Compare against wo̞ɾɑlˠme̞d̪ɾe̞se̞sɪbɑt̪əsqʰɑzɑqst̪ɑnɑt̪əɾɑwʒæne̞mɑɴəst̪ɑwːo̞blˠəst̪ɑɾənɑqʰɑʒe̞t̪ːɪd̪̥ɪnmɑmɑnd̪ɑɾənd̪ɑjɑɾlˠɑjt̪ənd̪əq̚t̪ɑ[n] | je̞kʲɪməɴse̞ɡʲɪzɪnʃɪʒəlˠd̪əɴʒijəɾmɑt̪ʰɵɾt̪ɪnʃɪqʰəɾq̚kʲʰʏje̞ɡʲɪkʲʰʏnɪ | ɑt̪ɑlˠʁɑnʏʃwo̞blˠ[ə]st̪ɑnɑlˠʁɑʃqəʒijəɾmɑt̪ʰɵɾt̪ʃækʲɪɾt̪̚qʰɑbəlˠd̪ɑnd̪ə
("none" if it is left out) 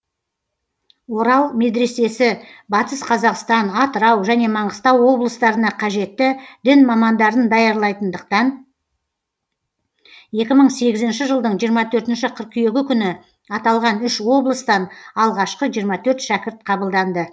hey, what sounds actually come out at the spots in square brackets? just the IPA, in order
n, ə

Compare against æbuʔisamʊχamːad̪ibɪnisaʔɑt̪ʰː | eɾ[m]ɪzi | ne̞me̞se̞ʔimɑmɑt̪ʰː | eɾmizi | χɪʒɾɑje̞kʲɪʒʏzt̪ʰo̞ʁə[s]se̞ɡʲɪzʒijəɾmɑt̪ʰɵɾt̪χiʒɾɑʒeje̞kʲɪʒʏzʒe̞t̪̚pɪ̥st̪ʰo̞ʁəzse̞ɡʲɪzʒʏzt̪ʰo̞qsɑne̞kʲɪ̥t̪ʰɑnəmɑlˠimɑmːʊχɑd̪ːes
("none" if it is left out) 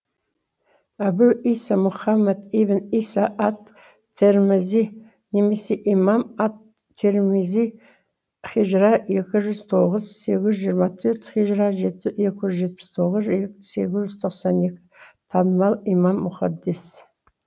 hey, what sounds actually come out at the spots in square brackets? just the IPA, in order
m, z

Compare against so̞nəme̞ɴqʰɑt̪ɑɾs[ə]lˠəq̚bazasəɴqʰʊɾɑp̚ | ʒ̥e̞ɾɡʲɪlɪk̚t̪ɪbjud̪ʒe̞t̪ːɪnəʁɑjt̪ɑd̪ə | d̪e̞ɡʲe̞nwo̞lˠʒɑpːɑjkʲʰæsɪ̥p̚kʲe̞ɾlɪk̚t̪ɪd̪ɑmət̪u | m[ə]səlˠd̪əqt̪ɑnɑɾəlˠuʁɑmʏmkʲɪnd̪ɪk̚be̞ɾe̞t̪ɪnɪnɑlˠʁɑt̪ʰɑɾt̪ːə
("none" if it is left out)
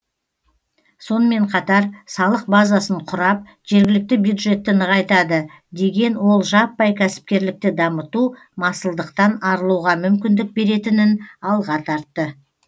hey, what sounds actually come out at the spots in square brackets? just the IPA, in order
ɑ, ɑ

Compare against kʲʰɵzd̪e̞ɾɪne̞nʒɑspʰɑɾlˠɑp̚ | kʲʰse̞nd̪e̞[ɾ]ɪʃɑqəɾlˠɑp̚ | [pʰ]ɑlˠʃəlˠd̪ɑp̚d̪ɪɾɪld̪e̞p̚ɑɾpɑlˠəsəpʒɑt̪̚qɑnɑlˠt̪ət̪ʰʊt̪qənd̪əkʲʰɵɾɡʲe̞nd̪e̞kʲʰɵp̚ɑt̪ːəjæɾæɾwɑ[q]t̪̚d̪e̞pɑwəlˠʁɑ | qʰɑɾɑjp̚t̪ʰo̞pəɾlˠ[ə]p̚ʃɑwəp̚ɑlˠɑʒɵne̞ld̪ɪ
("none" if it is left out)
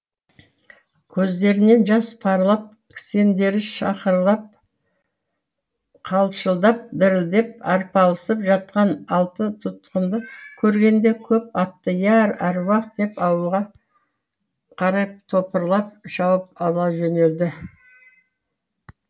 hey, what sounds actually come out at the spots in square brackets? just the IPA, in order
ɾ, qʰ, q, ɑ

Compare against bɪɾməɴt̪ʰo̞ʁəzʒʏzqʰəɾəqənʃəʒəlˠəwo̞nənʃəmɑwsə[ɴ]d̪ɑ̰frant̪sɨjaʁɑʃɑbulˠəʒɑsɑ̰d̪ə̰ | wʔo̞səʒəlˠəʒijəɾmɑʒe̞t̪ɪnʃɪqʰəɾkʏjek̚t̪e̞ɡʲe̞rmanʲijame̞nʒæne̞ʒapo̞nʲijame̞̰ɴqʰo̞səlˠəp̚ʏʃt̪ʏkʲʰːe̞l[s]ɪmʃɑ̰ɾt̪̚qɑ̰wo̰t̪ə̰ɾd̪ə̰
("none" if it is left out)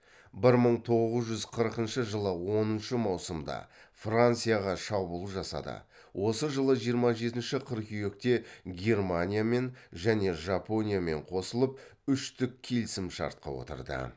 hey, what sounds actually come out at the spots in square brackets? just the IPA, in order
m, s

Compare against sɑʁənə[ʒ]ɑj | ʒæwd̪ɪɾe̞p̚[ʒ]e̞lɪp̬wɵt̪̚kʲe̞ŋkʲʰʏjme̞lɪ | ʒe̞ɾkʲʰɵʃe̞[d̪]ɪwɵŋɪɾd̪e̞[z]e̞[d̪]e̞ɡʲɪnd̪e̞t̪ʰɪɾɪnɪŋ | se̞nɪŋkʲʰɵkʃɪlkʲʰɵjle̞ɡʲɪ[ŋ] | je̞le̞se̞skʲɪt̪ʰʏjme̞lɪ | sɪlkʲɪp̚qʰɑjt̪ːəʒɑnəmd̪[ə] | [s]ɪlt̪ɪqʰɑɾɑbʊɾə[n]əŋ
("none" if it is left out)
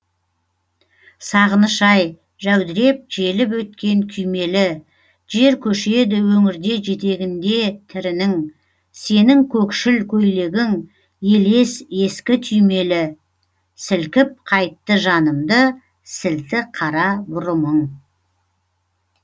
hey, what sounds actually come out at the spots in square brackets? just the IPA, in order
ʃ, ʒ, d̪, ʒ, t̪, ŋ, ə, s, m

